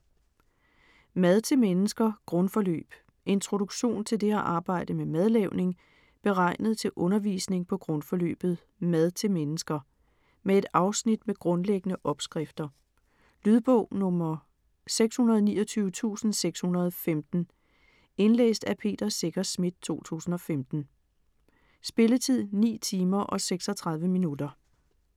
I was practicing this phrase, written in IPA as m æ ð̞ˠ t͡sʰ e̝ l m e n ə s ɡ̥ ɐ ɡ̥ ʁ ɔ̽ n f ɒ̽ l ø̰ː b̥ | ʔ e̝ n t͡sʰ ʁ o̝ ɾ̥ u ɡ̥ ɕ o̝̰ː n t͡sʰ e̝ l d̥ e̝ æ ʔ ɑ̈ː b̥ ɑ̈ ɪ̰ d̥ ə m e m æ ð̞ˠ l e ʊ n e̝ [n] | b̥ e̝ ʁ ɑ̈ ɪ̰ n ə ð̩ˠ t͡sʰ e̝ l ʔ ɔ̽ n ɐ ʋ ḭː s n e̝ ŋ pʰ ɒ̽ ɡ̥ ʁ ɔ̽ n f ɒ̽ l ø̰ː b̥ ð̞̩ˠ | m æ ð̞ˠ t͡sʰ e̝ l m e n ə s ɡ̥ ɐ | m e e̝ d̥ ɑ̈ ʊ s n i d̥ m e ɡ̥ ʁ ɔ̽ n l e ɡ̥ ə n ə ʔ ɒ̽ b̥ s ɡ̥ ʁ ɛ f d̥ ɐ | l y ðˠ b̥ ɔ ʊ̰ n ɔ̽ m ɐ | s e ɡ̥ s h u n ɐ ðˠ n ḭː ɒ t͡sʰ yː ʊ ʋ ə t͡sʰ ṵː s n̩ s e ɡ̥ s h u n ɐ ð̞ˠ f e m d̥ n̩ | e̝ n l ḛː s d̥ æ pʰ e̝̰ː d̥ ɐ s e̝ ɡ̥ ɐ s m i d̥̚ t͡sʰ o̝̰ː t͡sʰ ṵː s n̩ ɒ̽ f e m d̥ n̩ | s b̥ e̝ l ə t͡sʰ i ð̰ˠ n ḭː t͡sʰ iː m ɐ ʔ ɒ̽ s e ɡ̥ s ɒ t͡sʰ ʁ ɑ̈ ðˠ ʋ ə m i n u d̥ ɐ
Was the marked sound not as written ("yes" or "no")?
yes